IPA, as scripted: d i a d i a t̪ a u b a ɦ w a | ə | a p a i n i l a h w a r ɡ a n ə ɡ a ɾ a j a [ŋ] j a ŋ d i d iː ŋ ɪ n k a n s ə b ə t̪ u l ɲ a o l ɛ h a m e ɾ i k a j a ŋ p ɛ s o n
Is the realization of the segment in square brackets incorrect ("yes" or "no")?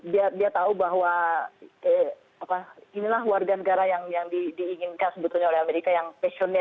no